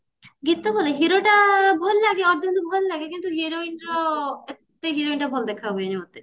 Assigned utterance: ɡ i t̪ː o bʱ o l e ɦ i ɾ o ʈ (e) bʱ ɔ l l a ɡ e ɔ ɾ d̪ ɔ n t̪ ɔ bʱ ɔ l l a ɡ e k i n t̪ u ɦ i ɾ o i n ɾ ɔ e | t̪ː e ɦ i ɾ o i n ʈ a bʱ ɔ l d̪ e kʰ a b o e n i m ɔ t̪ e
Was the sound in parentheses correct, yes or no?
no